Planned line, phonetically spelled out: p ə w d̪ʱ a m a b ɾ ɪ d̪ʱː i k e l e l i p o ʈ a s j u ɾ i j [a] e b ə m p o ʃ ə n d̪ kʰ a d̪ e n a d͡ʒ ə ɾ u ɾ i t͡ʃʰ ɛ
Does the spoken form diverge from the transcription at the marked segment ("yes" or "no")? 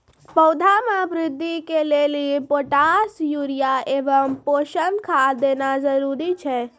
no